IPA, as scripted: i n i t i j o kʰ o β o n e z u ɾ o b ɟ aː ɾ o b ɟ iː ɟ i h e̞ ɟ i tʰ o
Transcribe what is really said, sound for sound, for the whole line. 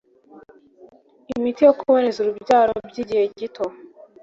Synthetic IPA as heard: i m i t i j o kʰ u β o n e z u ɾ u b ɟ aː ɾ o b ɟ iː ɟ i h e̞ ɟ i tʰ o